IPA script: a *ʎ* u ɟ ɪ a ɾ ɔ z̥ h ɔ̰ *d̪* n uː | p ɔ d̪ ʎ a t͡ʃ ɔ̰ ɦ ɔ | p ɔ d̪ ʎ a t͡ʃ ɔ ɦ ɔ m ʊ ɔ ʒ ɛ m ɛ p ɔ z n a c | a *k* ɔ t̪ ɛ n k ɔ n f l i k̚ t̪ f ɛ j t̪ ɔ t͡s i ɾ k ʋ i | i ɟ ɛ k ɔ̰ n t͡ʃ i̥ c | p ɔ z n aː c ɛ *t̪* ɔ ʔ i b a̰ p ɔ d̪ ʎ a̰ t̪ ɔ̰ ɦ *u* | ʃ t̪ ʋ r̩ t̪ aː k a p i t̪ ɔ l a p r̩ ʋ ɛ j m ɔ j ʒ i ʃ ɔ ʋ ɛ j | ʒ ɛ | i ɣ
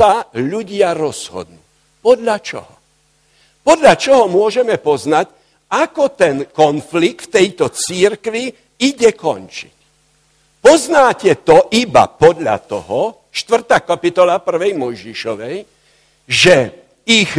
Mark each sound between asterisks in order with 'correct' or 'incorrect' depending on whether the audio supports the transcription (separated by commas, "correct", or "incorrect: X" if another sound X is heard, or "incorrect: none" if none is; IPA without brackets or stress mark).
correct, correct, correct, correct, incorrect: ɔ